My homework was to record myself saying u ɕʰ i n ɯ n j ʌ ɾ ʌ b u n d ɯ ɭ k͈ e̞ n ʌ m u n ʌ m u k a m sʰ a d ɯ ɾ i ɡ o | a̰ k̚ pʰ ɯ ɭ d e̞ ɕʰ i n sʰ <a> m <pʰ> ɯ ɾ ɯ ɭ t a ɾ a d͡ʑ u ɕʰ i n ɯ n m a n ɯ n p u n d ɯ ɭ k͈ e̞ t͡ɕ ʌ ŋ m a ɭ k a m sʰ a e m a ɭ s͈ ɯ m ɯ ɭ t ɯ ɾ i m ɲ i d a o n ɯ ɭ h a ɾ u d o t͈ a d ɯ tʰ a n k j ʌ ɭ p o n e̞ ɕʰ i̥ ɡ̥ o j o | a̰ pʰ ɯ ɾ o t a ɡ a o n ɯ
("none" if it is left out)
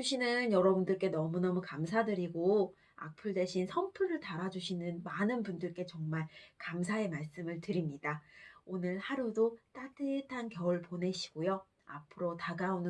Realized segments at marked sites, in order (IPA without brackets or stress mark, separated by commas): ʌ, pʰ